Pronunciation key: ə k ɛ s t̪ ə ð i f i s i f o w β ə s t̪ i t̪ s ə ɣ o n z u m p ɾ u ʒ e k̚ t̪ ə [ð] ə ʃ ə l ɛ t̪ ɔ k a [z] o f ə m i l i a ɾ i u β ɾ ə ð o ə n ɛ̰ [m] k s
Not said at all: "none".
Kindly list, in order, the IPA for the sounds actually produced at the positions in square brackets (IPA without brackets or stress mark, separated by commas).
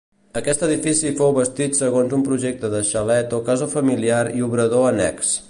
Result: ð, z, none